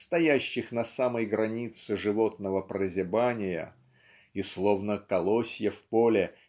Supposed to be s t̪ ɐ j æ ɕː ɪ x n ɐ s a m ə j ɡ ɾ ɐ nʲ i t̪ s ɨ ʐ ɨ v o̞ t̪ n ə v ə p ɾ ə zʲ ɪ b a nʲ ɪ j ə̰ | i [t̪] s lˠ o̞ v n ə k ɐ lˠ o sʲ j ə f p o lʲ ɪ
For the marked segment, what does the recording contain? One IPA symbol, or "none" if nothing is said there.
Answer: none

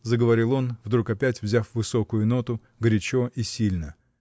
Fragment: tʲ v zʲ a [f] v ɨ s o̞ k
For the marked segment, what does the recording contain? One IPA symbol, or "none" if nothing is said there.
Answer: f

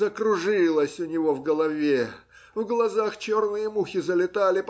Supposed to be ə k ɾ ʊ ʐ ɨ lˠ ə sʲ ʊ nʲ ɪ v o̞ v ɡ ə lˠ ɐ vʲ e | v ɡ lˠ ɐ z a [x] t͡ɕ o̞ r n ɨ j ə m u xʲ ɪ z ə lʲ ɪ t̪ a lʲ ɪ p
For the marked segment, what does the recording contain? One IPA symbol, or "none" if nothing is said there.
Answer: x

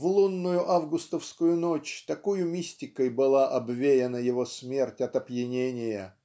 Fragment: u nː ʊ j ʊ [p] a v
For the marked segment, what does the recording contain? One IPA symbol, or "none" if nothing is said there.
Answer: ʔ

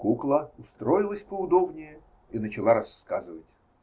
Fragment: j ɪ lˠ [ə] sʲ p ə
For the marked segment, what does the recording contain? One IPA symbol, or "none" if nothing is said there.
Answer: ə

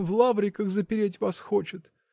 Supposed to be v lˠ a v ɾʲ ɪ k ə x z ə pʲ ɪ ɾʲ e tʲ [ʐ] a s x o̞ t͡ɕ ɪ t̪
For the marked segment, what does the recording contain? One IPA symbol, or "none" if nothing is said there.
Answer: v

